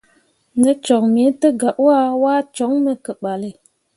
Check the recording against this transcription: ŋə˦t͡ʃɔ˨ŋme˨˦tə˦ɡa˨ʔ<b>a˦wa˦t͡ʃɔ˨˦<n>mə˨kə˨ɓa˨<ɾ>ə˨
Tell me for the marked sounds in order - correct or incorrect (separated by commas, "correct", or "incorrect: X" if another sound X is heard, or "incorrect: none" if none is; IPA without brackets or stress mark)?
incorrect: w, incorrect: ŋ, incorrect: l